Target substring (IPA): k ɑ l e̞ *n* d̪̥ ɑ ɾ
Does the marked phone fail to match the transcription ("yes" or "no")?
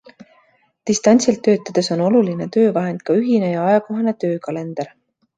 no